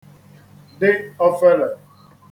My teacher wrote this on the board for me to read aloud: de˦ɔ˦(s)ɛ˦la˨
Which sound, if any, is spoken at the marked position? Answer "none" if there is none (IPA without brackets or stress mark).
f